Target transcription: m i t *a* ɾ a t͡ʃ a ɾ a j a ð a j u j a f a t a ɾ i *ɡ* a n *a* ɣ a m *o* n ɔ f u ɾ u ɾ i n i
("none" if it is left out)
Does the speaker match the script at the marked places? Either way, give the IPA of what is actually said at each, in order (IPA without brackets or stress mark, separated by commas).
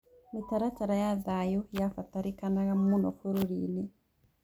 a, k, a, u